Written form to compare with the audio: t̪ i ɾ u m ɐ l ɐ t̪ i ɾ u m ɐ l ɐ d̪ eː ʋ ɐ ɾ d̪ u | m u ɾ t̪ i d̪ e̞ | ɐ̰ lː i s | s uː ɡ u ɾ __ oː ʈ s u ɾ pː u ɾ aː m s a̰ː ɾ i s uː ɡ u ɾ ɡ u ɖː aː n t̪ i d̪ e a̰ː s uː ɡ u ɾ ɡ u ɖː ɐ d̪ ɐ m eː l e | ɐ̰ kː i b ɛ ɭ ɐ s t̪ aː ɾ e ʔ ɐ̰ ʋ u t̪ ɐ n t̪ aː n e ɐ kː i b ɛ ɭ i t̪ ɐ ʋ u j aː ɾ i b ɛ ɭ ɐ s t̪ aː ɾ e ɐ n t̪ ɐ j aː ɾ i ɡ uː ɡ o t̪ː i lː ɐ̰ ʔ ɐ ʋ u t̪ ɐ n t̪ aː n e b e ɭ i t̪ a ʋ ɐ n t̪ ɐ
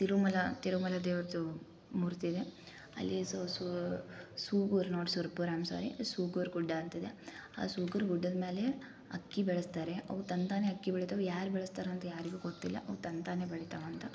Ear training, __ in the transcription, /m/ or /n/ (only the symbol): n